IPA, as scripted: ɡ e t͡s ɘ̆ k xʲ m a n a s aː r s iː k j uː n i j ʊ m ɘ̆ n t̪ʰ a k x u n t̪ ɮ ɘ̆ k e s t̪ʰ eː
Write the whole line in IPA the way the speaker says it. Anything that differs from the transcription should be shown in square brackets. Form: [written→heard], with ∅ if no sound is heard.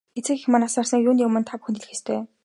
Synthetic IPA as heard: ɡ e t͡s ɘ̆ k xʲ m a n a s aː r s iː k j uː n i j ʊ m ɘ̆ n t̪ʰ a [k→p] x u n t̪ ɮ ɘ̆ [k→x] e s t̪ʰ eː